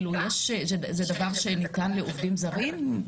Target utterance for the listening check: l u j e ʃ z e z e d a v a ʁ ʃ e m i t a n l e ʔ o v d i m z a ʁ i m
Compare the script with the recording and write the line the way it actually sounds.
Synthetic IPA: l u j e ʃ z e z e d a v a ʁ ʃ e n i t a n l e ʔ o v d i m z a ʁ i m